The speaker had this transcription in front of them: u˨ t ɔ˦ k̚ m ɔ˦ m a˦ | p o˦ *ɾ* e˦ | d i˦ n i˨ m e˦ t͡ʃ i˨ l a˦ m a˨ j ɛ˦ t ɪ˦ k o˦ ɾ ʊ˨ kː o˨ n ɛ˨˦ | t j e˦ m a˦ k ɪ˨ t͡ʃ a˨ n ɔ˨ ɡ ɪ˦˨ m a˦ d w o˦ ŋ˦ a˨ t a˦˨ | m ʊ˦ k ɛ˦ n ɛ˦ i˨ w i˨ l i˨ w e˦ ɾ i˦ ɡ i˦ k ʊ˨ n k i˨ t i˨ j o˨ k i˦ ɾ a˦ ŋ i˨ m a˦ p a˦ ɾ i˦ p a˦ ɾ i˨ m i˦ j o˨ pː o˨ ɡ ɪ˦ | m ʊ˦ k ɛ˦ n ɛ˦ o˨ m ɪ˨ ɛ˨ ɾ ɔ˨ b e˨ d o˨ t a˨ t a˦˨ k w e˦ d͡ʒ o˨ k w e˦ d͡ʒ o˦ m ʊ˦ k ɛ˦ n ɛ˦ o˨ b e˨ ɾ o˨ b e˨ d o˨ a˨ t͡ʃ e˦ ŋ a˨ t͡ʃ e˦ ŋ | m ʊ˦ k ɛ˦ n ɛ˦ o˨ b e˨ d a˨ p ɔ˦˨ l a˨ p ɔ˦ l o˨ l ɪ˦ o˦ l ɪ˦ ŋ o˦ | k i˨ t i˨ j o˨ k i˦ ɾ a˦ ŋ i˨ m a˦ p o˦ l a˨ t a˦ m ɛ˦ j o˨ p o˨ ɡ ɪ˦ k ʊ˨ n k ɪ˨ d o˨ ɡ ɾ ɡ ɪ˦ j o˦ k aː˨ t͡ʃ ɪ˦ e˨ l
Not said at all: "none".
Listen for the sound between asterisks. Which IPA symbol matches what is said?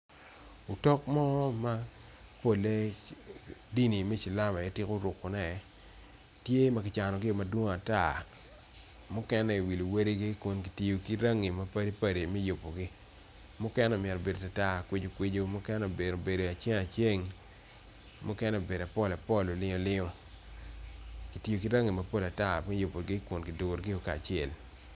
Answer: l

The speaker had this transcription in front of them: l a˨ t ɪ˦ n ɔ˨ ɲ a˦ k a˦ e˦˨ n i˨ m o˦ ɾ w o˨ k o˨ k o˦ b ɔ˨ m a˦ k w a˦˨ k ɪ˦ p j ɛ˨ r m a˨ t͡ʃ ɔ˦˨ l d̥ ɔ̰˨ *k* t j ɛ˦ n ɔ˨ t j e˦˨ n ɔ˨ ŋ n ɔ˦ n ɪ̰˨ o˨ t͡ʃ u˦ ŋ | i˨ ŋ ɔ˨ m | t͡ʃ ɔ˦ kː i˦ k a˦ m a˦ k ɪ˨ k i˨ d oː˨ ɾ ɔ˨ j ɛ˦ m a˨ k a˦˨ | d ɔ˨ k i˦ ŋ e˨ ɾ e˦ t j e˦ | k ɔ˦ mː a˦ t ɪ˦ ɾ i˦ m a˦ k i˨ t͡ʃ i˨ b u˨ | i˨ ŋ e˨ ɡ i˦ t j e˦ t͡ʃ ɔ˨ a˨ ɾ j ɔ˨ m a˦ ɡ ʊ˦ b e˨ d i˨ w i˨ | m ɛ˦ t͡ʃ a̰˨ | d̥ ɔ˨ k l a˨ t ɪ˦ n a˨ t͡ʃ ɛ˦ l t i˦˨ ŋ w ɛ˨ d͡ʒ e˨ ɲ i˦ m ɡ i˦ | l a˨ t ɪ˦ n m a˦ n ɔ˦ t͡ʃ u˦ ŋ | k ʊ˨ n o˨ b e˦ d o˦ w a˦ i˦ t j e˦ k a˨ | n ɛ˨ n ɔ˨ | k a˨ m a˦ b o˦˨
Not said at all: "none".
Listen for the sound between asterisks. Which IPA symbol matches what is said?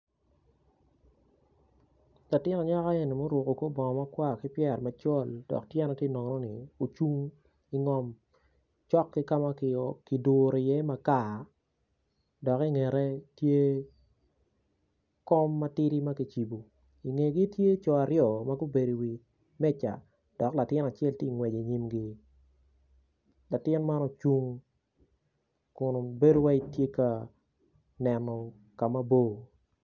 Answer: k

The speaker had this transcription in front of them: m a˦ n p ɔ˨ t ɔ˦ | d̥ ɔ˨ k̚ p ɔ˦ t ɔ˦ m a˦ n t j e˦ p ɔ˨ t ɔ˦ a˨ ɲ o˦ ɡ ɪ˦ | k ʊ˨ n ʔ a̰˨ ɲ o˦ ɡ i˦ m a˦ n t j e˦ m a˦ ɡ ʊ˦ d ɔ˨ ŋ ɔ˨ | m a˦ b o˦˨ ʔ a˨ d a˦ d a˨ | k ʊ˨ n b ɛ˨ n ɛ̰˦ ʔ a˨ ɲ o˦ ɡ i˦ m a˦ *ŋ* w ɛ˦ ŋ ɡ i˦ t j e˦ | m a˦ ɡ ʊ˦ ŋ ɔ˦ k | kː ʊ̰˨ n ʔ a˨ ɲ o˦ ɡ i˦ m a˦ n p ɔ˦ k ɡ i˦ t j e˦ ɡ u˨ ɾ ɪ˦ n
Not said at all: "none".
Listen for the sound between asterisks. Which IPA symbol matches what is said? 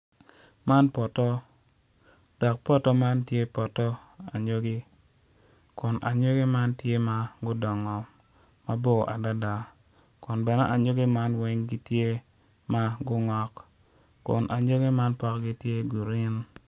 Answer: n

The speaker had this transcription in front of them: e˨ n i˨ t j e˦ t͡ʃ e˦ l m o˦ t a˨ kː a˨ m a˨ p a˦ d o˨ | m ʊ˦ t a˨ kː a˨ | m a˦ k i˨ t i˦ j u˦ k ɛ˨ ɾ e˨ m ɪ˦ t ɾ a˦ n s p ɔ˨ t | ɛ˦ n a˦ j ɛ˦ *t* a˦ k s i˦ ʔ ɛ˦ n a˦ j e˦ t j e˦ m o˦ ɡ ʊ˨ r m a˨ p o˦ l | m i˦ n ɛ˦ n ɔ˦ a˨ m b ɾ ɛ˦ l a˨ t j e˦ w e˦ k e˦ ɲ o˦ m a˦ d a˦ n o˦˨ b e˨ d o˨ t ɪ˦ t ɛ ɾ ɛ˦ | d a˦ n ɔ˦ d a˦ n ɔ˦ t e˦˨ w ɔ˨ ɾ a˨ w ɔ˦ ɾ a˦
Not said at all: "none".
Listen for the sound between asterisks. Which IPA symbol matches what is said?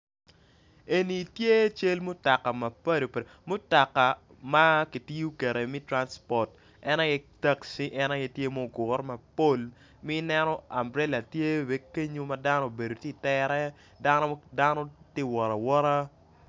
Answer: t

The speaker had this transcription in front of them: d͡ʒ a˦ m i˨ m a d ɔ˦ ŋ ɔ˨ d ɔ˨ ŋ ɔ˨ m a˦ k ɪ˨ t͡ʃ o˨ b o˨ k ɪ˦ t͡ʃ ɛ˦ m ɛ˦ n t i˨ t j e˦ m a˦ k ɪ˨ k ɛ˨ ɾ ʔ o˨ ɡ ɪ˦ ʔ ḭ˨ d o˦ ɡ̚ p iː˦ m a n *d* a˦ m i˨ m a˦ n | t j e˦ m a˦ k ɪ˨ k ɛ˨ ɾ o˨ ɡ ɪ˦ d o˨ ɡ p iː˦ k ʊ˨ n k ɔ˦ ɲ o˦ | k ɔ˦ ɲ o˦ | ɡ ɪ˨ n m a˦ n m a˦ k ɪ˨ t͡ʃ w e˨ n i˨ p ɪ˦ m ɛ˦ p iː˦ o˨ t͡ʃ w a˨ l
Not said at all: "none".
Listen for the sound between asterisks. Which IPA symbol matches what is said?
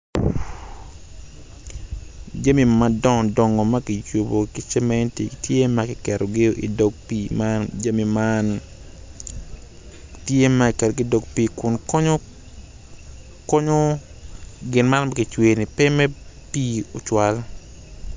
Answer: d͡ʒ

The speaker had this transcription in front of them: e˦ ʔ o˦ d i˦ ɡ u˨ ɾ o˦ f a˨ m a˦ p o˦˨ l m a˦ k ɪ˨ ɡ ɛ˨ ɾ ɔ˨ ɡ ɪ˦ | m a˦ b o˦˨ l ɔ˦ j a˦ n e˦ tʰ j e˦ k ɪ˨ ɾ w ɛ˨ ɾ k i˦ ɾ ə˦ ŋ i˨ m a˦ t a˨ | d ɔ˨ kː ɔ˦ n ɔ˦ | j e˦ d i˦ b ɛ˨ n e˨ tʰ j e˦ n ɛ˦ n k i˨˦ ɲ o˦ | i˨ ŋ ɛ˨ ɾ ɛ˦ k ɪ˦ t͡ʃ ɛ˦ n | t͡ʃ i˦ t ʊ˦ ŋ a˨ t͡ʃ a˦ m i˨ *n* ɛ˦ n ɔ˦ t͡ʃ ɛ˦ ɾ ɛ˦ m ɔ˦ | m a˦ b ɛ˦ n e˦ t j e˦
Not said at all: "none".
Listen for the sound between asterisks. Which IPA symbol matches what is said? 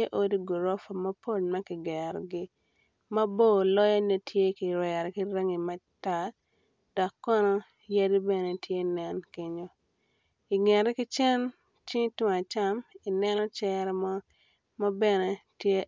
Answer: n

